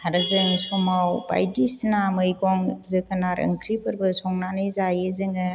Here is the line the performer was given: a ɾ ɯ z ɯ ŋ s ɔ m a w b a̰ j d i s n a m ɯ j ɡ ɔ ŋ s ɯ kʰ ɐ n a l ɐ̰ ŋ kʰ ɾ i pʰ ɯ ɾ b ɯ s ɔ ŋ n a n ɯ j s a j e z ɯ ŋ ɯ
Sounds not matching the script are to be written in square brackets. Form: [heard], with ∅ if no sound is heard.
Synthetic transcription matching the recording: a ɾ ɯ z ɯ ŋ s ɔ m a w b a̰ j d i s n a m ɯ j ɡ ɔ ŋ [z] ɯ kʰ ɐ n a [ɾ] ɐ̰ ŋ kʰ ɾ i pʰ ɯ ɾ b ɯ s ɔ ŋ n a n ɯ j [z] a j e z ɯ ŋ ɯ